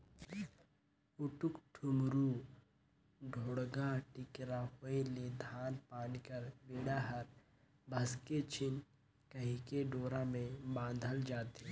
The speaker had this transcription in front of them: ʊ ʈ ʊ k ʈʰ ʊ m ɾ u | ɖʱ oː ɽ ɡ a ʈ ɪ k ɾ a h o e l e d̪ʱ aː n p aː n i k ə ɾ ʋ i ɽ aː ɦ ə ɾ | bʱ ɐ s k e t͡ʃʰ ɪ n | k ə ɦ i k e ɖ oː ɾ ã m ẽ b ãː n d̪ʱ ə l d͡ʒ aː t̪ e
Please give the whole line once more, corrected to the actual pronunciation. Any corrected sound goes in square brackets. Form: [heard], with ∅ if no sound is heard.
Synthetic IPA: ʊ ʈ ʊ k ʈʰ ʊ m ɾ u | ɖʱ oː ɽ ɡ a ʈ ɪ k ɾ a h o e l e d̪ʱ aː n p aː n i k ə ɾ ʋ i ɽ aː ɦ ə ɾ | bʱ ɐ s k e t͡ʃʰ ɪ n | k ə ɦ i k e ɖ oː ɾ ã m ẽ b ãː n d̪ʱ ə l d͡ʒ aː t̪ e